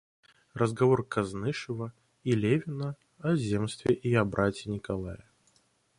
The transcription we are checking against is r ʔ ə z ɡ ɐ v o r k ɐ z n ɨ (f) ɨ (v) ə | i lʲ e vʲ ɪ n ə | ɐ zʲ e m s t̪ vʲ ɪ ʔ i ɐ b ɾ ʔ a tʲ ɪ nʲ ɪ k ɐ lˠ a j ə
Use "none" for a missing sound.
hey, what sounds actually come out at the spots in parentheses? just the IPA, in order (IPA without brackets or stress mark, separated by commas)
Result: ʂ, v